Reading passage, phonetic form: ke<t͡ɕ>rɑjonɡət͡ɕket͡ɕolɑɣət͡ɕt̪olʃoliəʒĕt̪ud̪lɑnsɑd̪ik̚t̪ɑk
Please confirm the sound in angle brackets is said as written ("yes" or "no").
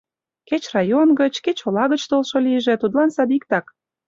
yes